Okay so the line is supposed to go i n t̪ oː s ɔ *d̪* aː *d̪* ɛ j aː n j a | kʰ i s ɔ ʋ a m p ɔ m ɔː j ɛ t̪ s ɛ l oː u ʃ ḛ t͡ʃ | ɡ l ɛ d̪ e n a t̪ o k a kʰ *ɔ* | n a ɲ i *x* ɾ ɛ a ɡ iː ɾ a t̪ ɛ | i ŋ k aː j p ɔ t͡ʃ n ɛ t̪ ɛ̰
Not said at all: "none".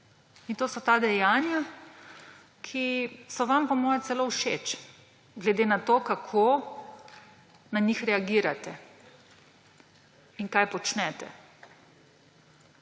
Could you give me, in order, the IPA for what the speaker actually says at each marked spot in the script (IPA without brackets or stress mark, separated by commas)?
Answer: t̪, d̪, o, x